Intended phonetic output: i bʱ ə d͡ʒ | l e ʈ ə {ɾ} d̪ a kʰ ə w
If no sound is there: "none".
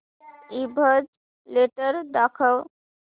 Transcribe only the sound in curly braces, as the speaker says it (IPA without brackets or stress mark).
ɾ